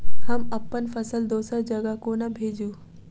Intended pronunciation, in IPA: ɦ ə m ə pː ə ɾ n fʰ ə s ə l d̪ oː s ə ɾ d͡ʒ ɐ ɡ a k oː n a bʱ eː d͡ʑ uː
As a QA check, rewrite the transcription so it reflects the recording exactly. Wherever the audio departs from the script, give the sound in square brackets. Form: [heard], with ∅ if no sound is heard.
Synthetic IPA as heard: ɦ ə m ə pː ə [∅] n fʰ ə s ə l d̪ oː s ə ɾ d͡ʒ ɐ ɡ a k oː n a bʱ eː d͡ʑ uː